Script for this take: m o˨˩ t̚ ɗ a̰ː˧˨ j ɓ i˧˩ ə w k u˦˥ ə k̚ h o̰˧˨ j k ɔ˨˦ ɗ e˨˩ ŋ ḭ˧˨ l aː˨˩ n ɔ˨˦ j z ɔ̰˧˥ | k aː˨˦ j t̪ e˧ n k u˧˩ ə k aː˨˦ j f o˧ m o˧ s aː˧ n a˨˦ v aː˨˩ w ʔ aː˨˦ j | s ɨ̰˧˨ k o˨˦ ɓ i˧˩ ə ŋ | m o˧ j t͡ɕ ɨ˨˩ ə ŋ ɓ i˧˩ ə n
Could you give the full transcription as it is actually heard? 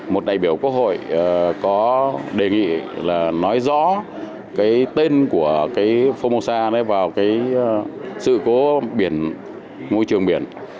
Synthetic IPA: m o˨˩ t̚ ɗ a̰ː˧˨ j ɓ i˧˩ ə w k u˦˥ ə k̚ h o̰˧˨ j k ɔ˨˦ ɗ e˨˩ ŋ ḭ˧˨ l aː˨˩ n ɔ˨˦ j z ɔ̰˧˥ | k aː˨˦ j t̪ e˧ n k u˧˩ ə k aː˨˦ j f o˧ m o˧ s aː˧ n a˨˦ v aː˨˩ w k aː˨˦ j | s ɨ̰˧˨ k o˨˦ ɓ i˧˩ ə n | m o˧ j t͡ɕ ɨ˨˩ ə ŋ ɓ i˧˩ ə n